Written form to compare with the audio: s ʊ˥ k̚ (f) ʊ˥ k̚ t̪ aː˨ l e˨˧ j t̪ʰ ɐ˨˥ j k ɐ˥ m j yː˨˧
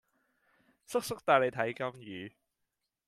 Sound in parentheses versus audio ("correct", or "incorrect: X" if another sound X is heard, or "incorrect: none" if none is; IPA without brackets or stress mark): incorrect: s